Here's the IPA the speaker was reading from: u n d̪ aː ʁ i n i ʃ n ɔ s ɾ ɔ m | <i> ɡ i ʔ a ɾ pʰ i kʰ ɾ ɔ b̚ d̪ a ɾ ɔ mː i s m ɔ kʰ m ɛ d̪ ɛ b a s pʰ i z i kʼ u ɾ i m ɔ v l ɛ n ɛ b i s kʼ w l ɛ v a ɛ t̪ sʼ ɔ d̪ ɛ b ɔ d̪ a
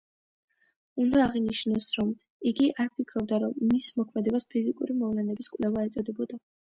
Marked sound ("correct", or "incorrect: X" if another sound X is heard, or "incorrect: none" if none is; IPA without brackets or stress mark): correct